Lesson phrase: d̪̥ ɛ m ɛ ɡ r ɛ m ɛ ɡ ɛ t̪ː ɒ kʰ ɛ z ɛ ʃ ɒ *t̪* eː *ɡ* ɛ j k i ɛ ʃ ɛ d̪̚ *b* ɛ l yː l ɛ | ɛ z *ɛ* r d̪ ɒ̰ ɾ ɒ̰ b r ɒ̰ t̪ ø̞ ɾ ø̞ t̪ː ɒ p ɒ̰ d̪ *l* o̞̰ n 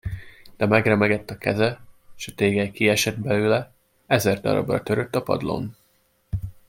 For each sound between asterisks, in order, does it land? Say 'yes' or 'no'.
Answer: yes, yes, yes, yes, yes

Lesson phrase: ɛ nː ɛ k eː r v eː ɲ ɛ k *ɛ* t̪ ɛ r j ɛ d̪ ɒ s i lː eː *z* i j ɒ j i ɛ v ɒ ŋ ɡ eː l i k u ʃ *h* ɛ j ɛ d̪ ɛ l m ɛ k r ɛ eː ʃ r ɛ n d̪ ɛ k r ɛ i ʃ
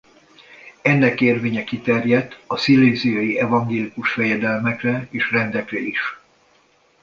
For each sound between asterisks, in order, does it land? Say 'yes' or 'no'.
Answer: no, yes, no

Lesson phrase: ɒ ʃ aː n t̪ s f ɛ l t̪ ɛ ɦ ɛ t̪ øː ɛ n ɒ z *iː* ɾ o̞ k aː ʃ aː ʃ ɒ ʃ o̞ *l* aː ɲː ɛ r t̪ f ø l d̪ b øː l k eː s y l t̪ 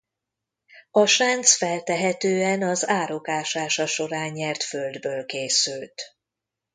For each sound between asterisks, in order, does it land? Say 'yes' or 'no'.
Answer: no, no

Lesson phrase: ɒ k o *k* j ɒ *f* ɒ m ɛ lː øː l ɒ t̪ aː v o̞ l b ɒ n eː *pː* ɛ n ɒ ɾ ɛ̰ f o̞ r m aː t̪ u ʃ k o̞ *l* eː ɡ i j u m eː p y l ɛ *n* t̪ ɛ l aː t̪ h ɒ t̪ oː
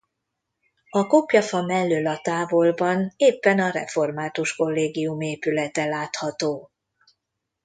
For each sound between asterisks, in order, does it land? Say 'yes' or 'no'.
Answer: no, yes, yes, no, no

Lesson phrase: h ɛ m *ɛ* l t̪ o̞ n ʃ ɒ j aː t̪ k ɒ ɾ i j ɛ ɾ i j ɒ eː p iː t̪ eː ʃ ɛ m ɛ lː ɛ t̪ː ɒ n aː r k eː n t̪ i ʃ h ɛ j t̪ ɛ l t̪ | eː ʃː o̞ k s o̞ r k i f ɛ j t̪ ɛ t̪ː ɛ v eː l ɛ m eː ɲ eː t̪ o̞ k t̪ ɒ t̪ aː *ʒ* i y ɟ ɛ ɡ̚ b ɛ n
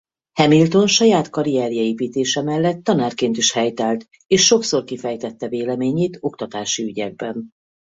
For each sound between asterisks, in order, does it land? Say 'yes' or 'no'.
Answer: no, no

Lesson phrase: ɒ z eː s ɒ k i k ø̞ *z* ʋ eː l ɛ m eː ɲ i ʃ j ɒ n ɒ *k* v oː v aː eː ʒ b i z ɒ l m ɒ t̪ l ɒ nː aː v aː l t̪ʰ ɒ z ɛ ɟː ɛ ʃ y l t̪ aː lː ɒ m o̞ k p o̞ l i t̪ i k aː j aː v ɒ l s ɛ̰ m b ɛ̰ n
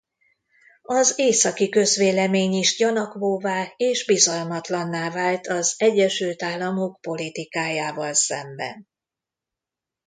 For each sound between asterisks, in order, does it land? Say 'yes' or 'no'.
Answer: yes, yes

